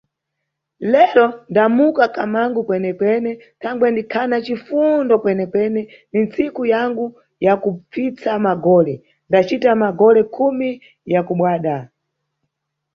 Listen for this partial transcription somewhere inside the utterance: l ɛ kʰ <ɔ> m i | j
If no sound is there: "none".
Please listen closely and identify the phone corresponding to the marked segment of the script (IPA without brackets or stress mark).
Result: u